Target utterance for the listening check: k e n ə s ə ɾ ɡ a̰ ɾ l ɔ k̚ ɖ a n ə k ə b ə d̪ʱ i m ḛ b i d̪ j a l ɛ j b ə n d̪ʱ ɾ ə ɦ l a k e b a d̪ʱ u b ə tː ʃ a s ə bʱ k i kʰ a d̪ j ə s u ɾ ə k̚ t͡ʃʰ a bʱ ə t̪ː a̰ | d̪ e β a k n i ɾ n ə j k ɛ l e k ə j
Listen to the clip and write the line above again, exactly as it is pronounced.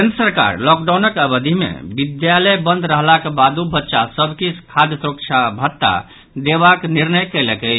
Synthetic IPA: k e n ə s ə ɾ k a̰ ɾ l ɔ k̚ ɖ a n ə k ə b ə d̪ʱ i m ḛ b i d̪ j a l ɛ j b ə n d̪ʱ ɾ ə ɦ l a k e b a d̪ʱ u b ə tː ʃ a s ə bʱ k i kʰ a d̪ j ə s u ɾ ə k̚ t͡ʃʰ a bʱ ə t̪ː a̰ | d̪ e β a k n i ɾ n ə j k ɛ l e k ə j

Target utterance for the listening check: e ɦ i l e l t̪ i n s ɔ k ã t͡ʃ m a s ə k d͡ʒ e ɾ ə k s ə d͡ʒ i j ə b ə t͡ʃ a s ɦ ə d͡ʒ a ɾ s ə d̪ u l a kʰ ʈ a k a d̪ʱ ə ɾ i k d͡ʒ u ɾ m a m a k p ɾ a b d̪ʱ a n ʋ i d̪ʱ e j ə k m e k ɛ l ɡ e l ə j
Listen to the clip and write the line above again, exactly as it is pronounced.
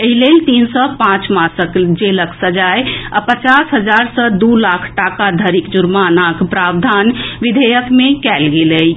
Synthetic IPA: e ɦ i l e l t̪ i n s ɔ p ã t͡ʃ m a s ə k d͡ʒ e l ə k s ə d͡ʒ a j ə p ə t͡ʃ a s ɦ ə d͡ʒ a ɾ s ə d̪ u l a kʰ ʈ a k a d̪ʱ ə ɾ i k d͡ʒ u ɾ m a n a k p ɾ a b d̪ʱ a n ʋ i d̪ʱ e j ə k m e k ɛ l ɡ e l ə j

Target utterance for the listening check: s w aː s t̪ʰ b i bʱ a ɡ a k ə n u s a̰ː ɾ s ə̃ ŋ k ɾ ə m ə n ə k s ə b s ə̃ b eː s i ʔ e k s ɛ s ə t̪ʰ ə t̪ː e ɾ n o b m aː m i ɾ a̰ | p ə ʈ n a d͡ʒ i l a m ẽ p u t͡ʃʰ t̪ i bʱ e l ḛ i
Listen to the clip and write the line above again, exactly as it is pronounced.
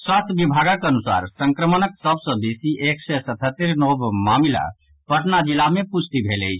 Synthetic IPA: s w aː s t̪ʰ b i bʱ a ɡ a k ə n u s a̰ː ɾ s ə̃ ŋ k ɾ ə m ə n ə k s ə b s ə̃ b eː s i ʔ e k s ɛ s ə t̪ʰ ə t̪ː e ɾ n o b m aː m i l a̰ | p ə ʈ n a d͡ʒ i l a m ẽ p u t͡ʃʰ t̪ i bʱ e l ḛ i

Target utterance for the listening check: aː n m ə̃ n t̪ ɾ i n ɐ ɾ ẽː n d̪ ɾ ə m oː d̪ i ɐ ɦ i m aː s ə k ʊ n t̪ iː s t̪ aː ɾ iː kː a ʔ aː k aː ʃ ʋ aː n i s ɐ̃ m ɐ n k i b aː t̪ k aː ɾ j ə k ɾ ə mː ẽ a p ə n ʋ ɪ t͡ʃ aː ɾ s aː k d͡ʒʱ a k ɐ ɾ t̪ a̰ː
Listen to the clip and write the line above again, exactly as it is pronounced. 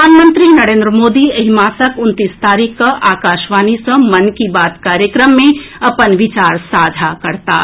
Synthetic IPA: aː n m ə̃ n t̪ ɾ i n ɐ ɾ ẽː n d̪ ɾ ə m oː d̪ i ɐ ɦ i m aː s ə k ʊ n t̪ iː s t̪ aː ɾ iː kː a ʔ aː k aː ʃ ʋ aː n i s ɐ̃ m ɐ n k i b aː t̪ k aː ɾ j ə k ɾ ə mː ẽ ɐ p ə n ʋ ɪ t͡ʃ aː ɾ s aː d͡ʒʱ a k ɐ ɾ t̪ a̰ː

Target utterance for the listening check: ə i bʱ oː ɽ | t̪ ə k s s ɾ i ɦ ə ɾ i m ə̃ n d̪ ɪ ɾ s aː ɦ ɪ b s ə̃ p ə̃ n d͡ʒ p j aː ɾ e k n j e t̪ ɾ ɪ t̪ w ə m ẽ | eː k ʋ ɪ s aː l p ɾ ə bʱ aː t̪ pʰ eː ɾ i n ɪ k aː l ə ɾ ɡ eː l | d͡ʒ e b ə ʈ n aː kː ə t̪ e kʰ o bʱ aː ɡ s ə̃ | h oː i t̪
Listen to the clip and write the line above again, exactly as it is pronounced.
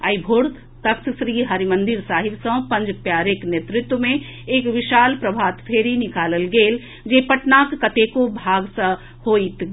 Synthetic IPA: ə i bʱ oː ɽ | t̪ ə k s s ɾ i ɦ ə ɾ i m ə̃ n d̪ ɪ ɾ s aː ɦ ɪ b s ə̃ p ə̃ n d͡ʒ p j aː ɾ e k n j e t̪ ɾ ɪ t̪ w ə m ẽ | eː k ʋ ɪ ʃ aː l p ɾ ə bʱ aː t̪ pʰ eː ɾ i n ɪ k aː l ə l ɡ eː l | d͡ʒ e p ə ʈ n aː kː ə t̪ e k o bʱ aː ɡ s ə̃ | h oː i t̪

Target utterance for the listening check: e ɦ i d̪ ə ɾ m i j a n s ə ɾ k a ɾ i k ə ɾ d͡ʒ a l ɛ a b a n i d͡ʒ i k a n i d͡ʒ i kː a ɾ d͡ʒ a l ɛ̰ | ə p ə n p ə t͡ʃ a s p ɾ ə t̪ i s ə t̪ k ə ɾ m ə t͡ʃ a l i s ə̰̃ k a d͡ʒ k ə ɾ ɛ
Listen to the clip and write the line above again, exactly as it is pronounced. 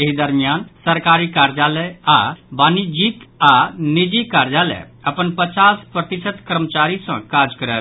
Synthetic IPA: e ɦ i d̪ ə ɾ m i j a n s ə ɾ k a ɾ i k a ɾ d͡ʒ a l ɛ a b a n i d͡ʒ i k a n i d͡ʒ i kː a ɾ d͡ʒ a l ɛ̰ | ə p ə n p ə t͡ʃ a s p ɾ ə t̪ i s ə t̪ k ə ɾ m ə t͡ʃ a ɾ i s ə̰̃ k a d͡ʒ k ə ɾ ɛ

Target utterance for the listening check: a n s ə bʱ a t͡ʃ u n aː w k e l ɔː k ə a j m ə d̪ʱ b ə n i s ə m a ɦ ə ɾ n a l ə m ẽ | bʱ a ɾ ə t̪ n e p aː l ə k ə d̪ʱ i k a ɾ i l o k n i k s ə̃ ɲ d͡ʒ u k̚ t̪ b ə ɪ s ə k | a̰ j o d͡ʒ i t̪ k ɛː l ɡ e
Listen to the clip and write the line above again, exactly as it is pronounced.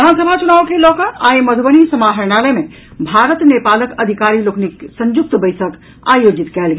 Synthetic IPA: a n s ə bʱ a t͡ʃ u n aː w k e l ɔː k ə a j m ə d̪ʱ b ə n i s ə m a ɦ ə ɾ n a l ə m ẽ | bʱ a ɾ ə t̪ n e p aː l ə k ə d̪ʱ i k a ɾ i l o k n i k s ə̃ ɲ d͡ʒ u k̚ t̪ b ə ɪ s ə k | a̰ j o d͡ʒ i t̪ k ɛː l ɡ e

